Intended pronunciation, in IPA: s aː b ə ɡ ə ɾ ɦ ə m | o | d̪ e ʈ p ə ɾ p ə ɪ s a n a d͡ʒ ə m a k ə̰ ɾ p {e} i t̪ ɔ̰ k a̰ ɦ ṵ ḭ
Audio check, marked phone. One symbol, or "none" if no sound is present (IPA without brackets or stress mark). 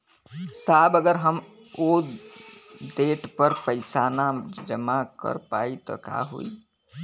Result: a